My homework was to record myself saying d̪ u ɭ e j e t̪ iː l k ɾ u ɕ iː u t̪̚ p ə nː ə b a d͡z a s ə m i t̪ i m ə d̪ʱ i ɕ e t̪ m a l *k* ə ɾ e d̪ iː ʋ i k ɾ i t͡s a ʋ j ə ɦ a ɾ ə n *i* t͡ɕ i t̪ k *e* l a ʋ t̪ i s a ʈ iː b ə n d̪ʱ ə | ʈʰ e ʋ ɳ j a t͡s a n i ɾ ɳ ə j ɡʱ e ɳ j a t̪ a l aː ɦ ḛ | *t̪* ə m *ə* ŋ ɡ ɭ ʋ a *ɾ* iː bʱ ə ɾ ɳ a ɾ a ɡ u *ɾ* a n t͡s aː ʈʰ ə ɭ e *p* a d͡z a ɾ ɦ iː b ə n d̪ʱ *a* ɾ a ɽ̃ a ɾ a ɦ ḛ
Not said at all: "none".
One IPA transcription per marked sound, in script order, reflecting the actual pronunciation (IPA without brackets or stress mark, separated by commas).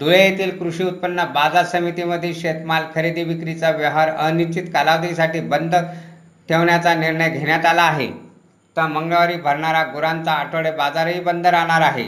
kʰ, i, a, t̪, ə, ɾ, ɾ, b, ə